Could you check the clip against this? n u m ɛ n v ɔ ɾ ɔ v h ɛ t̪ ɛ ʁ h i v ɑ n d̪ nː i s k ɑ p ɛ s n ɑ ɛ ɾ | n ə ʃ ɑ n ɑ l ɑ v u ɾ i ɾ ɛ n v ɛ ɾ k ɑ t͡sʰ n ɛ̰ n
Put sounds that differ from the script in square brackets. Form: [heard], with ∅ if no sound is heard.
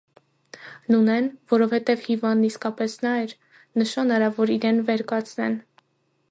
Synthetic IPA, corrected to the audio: n u [n] ɛ n v ɔ ɾ ɔ v h ɛ t̪ ɛ [v] h i v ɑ n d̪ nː i s k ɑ p ɛ s n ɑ ɛ ɾ | n ə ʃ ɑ n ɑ [ɾ] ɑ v [ɔ] ɾ i ɾ ɛ n v ɛ ɾ k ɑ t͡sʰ n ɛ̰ n